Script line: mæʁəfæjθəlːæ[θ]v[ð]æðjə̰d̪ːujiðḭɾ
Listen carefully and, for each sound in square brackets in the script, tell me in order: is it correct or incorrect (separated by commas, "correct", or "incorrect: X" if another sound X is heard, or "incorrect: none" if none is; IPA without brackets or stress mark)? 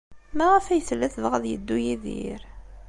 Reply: correct, incorrect: ʁ